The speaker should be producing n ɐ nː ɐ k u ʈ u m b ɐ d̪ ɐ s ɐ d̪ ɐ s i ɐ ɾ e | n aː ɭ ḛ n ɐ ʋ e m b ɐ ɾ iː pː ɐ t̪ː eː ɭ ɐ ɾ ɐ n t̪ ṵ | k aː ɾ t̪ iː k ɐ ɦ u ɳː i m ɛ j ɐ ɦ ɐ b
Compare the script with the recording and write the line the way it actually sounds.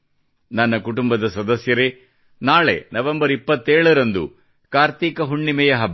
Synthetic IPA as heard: n ɐ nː ɐ k u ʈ u m b ɐ d̪ ɐ s ɐ d̪ ɐ s j ɐ ɾ e | n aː ɭ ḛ n ɐ ʋ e m b ɐ ɾ i pː ɐ t̪ː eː ɭ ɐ ɾ ɐ n d̪ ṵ | k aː ɾ t̪ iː k ɐ ɦ u ɳː i m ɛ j ɐ ɦ ɐ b